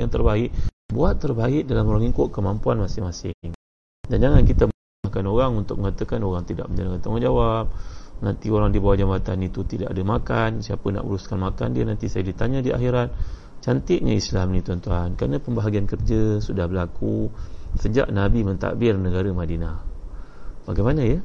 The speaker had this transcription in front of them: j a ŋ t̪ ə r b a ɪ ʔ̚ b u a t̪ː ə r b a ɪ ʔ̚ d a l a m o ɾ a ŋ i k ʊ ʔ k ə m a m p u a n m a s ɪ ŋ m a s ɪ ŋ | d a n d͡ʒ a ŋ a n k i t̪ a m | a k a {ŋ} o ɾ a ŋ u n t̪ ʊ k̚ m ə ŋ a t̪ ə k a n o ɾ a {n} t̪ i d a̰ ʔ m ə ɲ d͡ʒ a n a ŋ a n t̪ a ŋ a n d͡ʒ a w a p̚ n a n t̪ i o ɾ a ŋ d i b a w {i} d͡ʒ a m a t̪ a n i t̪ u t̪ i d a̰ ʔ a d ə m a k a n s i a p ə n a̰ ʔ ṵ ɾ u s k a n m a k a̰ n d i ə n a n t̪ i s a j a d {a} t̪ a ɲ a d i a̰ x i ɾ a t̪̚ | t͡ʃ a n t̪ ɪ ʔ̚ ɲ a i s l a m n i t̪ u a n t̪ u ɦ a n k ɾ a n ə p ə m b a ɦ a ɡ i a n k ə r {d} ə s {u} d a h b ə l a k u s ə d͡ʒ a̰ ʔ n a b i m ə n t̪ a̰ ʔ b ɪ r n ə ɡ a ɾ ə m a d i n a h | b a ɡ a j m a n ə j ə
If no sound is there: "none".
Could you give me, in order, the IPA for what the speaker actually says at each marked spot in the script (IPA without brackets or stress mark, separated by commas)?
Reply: n, ŋ, a, i, d͡ʒ, u